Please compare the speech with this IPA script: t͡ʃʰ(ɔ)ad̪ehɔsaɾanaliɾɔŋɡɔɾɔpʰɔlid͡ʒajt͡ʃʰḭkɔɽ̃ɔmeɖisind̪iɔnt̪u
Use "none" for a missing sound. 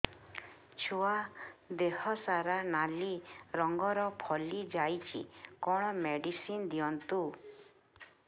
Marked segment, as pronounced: u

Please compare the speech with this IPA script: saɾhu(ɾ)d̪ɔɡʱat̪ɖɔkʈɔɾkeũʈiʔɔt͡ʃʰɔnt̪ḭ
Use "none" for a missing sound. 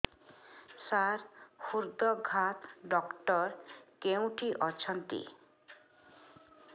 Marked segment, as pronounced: ɾ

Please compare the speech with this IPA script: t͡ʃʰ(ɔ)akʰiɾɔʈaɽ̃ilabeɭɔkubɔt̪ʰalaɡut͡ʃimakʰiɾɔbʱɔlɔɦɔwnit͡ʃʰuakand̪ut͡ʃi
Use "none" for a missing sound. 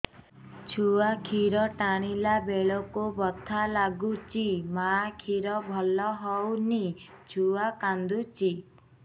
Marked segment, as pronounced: u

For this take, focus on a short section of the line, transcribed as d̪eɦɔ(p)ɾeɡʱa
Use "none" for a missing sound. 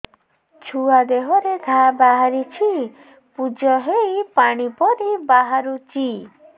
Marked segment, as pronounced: none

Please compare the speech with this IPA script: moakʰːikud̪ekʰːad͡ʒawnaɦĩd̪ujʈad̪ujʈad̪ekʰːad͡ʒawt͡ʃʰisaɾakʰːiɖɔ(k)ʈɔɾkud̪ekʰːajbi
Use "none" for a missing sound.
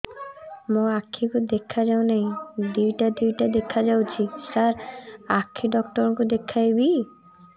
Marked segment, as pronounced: k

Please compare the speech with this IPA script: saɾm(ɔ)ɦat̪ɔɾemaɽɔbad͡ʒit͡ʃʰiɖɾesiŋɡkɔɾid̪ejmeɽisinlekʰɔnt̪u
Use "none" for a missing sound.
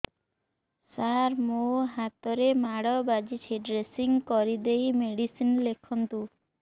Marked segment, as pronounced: o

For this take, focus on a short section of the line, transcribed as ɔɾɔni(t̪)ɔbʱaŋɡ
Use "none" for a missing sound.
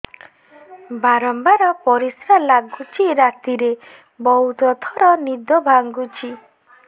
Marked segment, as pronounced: d̪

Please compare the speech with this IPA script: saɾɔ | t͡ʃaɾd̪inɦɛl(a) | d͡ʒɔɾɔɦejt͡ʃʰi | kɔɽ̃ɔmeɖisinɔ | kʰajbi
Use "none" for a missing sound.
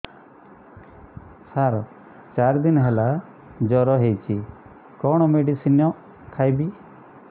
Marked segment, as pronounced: a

